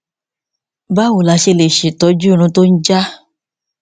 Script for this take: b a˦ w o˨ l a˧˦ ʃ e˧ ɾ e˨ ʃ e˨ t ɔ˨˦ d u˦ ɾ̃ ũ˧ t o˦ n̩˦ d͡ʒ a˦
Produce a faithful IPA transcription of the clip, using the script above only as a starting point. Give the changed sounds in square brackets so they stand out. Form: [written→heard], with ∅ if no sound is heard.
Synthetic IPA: b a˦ w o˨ l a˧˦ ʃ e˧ [ɾ→l] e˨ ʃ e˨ t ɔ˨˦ [d→d͡ʒ] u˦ ɾ̃ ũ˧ t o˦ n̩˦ d͡ʒ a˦